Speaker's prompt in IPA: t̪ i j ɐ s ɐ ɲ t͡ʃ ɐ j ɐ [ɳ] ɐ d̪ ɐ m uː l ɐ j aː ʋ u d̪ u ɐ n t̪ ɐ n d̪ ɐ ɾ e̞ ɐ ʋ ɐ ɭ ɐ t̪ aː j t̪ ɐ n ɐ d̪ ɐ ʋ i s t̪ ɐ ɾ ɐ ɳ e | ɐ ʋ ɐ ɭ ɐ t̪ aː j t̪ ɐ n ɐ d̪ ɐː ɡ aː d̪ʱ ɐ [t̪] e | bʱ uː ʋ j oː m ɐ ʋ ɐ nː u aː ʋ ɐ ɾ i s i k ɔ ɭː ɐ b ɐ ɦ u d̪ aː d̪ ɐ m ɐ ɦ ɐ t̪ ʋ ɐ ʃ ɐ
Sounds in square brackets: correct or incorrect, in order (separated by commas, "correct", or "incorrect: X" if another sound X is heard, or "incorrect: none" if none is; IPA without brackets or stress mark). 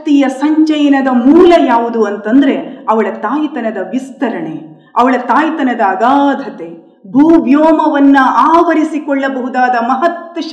incorrect: n, correct